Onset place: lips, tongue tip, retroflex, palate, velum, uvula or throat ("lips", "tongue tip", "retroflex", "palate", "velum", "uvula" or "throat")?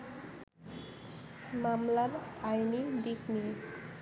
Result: lips